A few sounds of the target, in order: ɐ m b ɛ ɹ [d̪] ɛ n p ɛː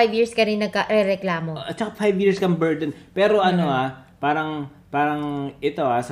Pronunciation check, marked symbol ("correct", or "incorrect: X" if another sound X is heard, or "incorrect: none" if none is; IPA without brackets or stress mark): correct